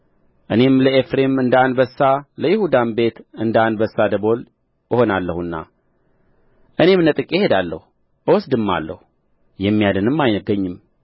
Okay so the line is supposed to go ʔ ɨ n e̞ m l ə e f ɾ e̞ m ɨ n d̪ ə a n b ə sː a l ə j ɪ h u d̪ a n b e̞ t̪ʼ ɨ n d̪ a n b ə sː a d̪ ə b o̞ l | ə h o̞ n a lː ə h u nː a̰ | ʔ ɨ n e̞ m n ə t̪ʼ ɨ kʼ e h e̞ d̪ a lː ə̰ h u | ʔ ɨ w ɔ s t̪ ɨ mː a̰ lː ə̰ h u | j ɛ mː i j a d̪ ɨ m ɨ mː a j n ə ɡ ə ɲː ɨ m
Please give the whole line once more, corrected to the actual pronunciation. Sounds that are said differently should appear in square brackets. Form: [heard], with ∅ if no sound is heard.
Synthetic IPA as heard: ʔ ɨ n e̞ m l ə e f ɾ e̞ m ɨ n d̪ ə a n b ə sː a l ə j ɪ h u d̪ a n b e̞ [t̪] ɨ n d̪ a n b ə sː a d̪ ə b o̞ l | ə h o̞ n a lː ə h u nː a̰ | ʔ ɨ n e̞ m n ə t̪ʼ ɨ kʼ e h e̞ d̪ a lː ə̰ h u | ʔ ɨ w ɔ s [d̪] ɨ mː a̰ lː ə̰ h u | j ɛ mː i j a d̪ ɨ [n] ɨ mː a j n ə ɡ ə ɲː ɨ m